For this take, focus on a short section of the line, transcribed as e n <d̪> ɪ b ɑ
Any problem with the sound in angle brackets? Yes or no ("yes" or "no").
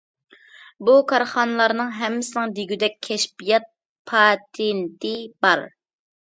yes